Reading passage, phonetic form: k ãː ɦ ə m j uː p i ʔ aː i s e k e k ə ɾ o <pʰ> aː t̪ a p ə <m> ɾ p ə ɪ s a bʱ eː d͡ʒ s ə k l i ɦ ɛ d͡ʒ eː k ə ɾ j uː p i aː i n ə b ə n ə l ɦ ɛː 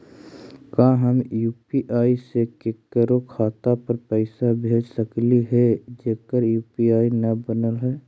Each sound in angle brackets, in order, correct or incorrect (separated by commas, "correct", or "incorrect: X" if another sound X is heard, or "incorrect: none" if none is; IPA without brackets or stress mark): incorrect: kʰ, incorrect: none